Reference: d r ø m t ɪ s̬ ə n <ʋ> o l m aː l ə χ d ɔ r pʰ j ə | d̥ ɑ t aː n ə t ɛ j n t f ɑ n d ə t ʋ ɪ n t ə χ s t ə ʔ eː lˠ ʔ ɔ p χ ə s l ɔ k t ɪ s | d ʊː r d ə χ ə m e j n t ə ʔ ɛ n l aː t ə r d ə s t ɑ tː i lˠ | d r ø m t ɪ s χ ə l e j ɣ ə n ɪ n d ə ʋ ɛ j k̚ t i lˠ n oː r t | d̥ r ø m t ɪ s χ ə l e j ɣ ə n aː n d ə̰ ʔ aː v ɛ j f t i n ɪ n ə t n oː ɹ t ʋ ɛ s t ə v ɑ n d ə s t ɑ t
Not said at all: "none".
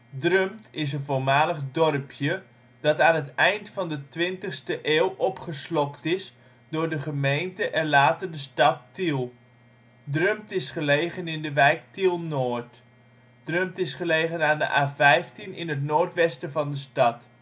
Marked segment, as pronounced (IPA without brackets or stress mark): v